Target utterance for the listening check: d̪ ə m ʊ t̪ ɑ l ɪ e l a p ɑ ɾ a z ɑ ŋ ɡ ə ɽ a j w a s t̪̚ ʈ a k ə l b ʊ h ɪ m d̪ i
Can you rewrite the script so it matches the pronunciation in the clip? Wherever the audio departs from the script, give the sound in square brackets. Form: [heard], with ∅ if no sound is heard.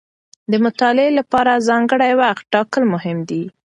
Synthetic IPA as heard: d̪ ə m ʊ t̪ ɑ l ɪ e l a p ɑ ɾ a z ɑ ŋ ɡ ə ɽ a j w a [x] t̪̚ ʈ [ɑ] k ə l [m] ʊ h ɪ m d̪ i